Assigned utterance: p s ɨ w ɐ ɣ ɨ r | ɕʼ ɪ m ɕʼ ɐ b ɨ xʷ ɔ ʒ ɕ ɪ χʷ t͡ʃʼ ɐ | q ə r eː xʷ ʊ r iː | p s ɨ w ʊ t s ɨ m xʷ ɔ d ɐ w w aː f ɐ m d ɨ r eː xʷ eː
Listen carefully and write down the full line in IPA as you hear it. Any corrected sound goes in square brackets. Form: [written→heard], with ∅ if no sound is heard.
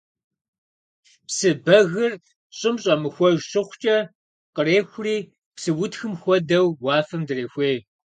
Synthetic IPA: p s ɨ [w→b] ɐ ɣ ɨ r | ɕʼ ɪ m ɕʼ ɐ [b→m] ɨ xʷ ɔ ʒ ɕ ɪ χʷ t͡ʃʼ ɐ | q ə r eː xʷ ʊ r iː | p s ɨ w ʊ t [s→x] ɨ m xʷ ɔ d ɐ w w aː f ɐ m d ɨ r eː xʷ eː

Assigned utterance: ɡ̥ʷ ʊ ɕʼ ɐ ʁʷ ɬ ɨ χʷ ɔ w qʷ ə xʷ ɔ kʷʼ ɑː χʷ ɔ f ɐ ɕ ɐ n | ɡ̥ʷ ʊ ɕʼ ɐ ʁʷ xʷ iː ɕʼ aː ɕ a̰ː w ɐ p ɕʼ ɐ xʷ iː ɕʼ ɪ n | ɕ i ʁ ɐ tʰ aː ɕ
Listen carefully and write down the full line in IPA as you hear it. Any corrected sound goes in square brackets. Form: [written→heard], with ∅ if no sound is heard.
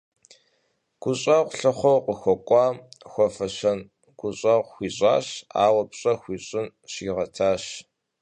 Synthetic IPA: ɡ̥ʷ ʊ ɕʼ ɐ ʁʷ ɬ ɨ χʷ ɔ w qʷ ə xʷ ɔ kʷʼ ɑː [χʷ→xʷ] ɔ f ɐ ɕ ɐ n | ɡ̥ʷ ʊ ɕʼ ɐ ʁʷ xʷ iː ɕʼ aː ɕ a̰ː w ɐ p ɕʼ ɐ xʷ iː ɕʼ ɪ n | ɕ i ʁ ɐ tʰ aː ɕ

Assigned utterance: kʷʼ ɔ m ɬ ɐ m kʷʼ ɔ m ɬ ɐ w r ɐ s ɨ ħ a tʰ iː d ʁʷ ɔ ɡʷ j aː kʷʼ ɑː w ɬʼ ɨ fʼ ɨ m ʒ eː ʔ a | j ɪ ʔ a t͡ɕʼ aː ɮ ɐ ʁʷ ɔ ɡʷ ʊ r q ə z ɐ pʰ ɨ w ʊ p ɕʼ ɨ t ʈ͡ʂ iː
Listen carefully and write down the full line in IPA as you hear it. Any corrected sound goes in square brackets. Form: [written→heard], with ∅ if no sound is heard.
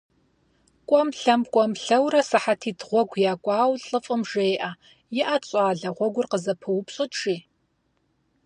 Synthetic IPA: kʷʼ ɔ m ɬ ɐ m kʷʼ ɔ m ɬ ɐ w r ɐ s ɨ ħ a tʰ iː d ʁʷ ɔ ɡʷ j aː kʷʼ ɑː w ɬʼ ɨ fʼ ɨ m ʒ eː ʔ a | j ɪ ʔ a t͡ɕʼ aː ɮ ɐ ʁʷ ɔ ɡʷ ʊ r q ə z ɐ pʰ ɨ w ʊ p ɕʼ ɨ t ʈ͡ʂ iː

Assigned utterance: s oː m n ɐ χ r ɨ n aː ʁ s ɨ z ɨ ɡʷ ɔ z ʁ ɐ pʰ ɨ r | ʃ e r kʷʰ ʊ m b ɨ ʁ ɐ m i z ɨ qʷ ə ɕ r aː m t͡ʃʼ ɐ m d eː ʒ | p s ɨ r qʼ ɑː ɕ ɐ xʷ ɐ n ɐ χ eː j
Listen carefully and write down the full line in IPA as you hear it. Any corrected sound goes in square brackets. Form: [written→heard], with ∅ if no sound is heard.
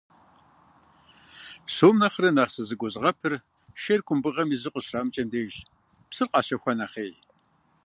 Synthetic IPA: s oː m n ɐ χ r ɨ n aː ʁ s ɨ z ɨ ɡʷ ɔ z ʁ ɐ pʰ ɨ r | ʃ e r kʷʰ ʊ m b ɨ ʁ ɐ m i z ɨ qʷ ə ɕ r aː m t͡ʃʼ ɐ m d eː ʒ | p s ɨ r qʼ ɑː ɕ ɐ xʷ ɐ n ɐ χ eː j

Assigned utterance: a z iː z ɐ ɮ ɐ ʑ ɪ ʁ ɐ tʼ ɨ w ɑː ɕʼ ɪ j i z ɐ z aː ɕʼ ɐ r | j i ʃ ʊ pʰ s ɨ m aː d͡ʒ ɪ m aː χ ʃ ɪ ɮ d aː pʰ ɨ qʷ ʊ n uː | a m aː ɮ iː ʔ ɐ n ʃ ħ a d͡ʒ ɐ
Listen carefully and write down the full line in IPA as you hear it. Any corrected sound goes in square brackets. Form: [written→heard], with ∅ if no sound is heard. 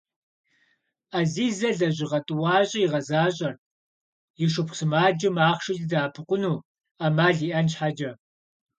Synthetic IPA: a z iː z ɐ ɮ ɐ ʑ ɪ ʁ ɐ tʼ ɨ w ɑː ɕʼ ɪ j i [z→ʁ] ɐ z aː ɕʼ ɐ r | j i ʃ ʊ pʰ s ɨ m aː d͡ʒ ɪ m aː χ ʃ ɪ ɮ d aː pʰ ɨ qʷ ʊ n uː | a m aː ɮ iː ʔ ɐ n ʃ ħ a d͡ʒ ɐ

